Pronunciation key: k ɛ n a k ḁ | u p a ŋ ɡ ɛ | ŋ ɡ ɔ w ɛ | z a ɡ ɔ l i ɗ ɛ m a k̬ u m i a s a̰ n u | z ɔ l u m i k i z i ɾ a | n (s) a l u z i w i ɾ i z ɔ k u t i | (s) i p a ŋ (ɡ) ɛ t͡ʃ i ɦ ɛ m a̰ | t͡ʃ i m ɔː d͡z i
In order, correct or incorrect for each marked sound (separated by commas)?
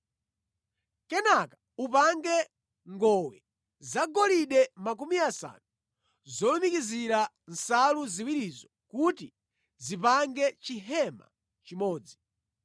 correct, incorrect, correct